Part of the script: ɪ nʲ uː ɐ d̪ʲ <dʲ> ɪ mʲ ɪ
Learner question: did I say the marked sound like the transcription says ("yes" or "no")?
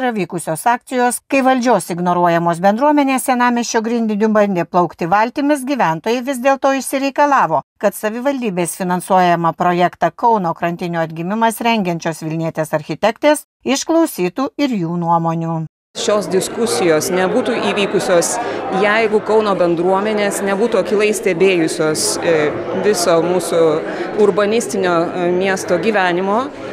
no